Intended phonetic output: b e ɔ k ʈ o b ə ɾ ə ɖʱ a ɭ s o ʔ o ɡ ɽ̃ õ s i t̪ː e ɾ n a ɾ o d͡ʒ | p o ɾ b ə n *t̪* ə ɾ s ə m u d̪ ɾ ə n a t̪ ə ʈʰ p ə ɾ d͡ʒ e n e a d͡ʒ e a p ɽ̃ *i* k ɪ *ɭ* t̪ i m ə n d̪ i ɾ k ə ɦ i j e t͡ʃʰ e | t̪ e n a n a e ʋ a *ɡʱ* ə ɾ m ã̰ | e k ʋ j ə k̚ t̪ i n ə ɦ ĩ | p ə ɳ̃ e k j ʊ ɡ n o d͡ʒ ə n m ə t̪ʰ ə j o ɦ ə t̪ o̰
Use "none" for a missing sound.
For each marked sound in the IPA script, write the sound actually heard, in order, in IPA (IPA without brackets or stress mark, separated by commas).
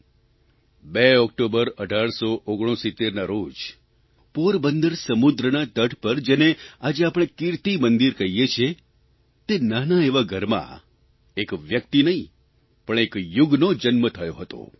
d̪, e, ɾ, ɡʱ